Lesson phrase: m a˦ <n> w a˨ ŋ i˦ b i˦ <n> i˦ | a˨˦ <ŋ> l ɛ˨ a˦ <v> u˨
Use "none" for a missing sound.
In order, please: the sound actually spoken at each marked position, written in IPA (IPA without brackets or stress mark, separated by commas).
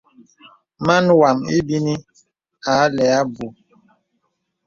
n, n, none, b